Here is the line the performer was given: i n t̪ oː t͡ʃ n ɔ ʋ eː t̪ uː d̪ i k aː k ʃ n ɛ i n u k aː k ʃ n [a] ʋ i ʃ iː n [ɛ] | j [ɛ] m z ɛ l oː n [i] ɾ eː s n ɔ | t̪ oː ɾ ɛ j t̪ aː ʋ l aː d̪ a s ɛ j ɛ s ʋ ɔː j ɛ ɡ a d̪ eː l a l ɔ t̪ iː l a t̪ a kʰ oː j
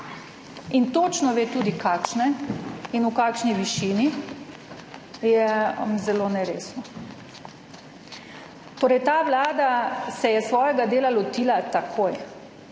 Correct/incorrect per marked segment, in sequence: incorrect: i, incorrect: i, correct, incorrect: ɛ

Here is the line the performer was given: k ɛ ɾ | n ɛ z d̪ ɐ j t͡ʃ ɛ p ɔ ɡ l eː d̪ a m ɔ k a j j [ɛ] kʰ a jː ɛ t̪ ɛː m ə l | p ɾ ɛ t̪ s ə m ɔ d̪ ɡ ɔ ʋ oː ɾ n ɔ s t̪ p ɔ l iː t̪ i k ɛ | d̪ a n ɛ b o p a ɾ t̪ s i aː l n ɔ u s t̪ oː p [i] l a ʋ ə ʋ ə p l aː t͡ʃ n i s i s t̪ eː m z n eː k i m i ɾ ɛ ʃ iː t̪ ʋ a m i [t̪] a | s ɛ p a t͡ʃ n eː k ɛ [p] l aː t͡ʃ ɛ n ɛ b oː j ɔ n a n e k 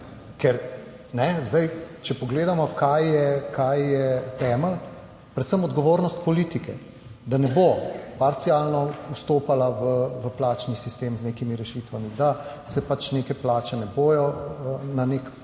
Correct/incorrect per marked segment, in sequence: correct, incorrect: a, incorrect: d̪, correct

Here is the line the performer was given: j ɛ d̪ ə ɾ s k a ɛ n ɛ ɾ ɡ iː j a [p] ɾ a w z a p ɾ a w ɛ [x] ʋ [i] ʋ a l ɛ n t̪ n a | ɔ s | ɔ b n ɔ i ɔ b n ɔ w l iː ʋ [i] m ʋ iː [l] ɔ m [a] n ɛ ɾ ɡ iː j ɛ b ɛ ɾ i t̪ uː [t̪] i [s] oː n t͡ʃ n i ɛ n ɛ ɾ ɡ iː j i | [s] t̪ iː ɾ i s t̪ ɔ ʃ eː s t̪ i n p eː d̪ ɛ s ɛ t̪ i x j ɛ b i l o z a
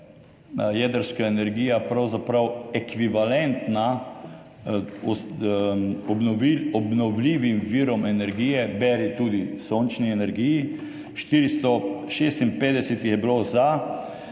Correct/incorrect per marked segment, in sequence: correct, incorrect: k, correct, correct, incorrect: ɾ, incorrect: ɛ, incorrect: d̪, correct, incorrect: ʃ

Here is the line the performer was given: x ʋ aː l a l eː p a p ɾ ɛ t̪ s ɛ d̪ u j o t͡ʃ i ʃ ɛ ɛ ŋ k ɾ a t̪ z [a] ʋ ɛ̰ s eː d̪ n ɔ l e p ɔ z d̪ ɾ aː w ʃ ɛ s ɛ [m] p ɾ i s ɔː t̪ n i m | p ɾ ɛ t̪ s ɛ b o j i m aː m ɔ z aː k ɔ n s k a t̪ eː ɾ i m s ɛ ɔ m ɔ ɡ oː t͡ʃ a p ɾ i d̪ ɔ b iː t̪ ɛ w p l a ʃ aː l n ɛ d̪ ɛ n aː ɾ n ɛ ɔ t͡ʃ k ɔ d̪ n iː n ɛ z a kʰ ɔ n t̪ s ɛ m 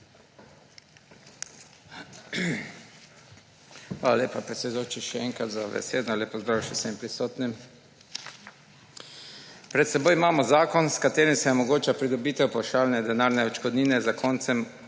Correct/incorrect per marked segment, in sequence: correct, correct

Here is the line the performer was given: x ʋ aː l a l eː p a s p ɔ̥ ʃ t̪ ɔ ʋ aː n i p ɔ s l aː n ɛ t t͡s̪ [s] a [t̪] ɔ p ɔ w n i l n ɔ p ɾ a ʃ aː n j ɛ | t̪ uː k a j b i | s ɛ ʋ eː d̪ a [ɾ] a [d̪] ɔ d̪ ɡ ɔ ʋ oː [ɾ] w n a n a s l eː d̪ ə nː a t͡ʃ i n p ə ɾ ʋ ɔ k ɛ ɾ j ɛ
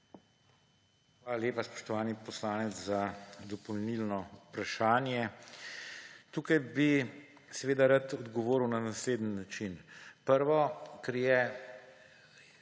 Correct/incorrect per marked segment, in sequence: incorrect: z, incorrect: d̪, correct, incorrect: t̪, correct

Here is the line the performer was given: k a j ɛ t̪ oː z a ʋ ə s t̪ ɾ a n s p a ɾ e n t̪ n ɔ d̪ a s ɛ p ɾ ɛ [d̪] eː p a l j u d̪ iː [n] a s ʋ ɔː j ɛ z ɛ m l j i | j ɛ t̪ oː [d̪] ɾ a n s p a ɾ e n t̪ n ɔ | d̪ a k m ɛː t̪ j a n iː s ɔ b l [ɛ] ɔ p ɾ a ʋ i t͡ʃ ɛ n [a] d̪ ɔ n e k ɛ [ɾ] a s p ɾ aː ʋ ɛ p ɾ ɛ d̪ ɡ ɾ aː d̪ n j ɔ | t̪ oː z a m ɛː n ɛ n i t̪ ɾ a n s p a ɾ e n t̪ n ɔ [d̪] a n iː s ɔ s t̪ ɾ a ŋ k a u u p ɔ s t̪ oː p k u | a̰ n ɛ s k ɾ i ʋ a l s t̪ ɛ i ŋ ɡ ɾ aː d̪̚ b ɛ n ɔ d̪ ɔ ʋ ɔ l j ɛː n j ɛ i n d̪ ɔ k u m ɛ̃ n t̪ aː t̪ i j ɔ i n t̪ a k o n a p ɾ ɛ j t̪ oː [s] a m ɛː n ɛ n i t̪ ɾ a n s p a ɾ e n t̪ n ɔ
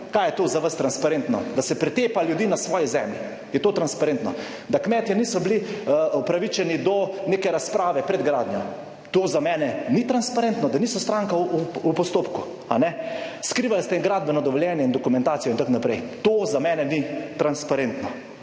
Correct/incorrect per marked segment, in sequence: incorrect: t̪, correct, incorrect: t̪, incorrect: i, incorrect: i, correct, correct, incorrect: z

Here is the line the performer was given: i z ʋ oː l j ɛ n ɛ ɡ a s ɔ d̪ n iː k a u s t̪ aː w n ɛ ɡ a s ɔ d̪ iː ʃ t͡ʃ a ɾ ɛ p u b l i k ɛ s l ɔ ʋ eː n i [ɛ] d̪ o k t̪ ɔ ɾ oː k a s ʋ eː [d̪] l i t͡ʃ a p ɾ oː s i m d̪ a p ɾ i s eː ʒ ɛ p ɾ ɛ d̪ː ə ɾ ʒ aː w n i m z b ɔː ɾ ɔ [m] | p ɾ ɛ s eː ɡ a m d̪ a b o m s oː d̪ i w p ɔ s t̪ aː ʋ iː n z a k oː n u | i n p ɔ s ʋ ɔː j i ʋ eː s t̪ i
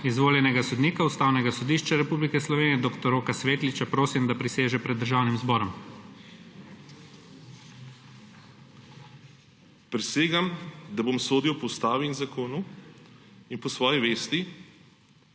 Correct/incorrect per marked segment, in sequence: correct, incorrect: t̪, correct

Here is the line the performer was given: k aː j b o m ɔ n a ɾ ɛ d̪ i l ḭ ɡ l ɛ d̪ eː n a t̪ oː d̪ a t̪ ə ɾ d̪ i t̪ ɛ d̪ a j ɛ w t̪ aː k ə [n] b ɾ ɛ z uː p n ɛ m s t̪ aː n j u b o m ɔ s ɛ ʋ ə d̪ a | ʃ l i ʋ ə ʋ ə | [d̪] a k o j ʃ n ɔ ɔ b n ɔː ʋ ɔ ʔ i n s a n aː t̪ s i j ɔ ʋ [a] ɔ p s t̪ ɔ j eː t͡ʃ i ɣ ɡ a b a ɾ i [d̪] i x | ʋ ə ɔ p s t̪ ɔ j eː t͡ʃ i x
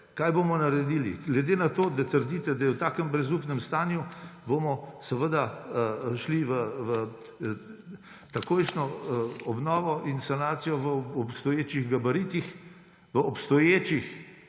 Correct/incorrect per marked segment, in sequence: incorrect: m, incorrect: t̪, incorrect: ə, incorrect: t̪

